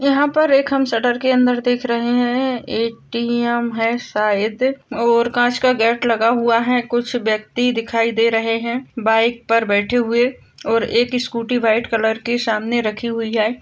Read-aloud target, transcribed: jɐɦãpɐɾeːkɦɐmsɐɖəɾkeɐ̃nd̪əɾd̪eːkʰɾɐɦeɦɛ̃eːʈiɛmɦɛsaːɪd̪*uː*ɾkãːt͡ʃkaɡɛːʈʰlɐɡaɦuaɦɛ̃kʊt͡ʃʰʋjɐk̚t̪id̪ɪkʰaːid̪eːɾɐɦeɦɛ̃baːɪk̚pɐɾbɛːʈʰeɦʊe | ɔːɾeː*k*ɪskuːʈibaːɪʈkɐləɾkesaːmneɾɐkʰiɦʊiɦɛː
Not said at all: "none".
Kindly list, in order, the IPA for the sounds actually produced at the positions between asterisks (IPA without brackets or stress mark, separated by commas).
ɔː, k